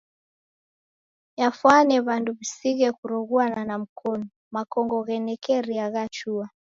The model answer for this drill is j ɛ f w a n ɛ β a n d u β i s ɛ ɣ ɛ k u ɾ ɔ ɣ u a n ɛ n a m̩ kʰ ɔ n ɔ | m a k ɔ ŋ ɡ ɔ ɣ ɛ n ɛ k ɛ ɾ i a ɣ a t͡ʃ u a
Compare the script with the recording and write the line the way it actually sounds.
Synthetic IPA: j a f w a n ɛ β a n d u β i s i ɣ ɛ k u ɾ ɔ ɣ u a n a n a m̩ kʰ ɔ n ɔ | m a k ɔ ŋ ɡ ɔ ɣ ɛ n ɛ k ɛ ɾ i a ɣ a t͡ʃ u a